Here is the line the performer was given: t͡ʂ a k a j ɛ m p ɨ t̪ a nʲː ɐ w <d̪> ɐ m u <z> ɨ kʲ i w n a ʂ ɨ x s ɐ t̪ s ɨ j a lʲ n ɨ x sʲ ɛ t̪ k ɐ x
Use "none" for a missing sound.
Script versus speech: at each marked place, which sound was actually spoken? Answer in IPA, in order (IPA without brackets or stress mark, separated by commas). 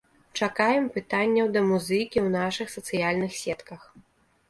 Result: d̪, z